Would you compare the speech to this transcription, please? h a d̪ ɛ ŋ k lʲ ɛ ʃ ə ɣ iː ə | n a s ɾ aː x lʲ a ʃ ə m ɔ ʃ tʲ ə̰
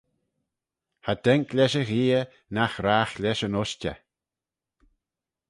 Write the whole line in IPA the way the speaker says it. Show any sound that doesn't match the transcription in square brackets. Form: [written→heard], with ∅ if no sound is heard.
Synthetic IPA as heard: h a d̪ ɛ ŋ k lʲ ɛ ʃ ə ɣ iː ə | n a [s→x] ɾ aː x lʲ [a→ɛ] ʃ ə [m→n] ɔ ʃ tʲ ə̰

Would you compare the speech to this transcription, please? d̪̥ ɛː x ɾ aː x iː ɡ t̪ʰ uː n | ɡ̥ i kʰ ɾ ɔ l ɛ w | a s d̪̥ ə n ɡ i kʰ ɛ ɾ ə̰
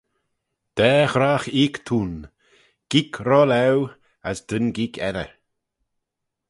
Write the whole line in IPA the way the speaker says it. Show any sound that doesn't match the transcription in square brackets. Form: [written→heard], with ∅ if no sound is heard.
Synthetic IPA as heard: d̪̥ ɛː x ɾ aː x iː [ɡ→k] t̪ʰ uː n | ɡ̥ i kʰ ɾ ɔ l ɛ w | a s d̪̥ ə n ɡ i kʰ ɛ ɾ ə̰

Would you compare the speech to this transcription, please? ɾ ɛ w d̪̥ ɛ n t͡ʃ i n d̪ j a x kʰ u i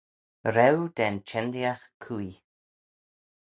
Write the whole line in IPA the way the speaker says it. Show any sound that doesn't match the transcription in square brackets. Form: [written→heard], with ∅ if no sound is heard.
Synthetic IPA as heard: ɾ ɛ w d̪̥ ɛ n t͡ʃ [i→ɛ] n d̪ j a x kʰ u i

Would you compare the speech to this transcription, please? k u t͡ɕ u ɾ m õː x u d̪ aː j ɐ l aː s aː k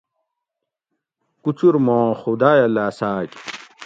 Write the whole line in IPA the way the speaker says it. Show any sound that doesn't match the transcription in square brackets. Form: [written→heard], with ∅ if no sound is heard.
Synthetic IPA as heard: k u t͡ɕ u ɾ m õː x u d̪ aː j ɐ l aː s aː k

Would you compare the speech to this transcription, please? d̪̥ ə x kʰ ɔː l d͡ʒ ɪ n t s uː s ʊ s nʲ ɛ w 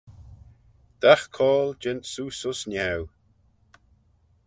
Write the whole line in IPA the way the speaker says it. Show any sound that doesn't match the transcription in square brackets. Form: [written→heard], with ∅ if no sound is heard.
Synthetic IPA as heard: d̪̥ [ə→a] x kʰ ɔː l d͡ʒ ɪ n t s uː s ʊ s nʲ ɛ w

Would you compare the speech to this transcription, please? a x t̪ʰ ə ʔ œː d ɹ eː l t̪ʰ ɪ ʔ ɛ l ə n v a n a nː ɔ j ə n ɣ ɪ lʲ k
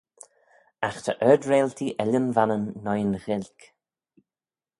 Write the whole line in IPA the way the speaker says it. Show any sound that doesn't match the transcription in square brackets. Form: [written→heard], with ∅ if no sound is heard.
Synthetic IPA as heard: a x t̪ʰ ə ʔ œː d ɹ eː l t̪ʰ [ɪ→i] ʔ ɛ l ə n v a n [a→ə] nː ɔ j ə n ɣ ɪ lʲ k

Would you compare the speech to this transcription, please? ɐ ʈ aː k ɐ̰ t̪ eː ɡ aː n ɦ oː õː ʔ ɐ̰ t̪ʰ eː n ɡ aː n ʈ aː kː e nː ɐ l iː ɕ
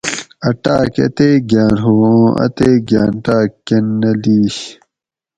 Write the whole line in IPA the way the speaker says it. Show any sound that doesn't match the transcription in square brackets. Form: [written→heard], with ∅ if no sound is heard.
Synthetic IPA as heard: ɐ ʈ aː k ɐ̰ t̪ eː ɡ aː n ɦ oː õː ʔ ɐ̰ [t̪ʰ→t̪] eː [n→∅] ɡ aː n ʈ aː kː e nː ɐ l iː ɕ

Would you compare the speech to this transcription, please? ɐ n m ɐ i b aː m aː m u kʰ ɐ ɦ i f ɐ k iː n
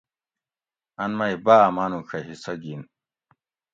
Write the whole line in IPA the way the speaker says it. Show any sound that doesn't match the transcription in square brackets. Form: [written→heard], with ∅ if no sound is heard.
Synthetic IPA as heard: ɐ n m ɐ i b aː m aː [m→n] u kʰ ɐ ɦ i [f→s] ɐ [k→ɡ] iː n

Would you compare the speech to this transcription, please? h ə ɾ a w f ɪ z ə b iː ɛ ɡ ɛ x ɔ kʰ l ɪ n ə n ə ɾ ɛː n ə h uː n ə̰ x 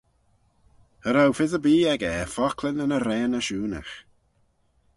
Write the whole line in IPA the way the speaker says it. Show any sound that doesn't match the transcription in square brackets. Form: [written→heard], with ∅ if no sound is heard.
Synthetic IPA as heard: h ə ɾ a w f ɪ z ə b iː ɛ ɡ ɛ [x→f] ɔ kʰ l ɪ n ə n ə ɾ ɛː n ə [h→ʃ] uː n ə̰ x

